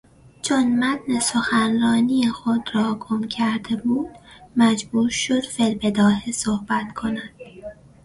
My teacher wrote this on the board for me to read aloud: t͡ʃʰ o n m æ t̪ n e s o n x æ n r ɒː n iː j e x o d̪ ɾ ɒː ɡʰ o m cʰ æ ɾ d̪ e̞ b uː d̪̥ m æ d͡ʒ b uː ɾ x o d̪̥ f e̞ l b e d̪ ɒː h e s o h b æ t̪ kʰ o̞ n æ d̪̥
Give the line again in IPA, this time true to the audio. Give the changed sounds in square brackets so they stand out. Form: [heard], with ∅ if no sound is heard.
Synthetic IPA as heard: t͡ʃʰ o n m æ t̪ n e s o [∅] x æ n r ɒː n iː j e x o d̪ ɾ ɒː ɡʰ o m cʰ æ ɾ d̪ e̞ b uː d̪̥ m æ d͡ʒ b uː ɾ [ʃ] o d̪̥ f e̞ l b e d̪ ɒː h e s o h b æ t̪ kʰ o̞ n æ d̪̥